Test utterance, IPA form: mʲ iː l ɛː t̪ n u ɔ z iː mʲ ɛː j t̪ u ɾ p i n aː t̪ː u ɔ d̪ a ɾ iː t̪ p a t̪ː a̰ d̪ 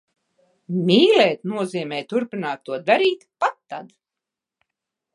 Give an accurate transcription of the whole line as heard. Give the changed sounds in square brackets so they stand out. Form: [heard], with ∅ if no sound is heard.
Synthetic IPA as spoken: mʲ iː l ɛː t̪ n u ɔ z iː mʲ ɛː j t̪ u ɾ p i n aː t̪ː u ɔ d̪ a ɾ iː t̪ p a t̪ː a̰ d̪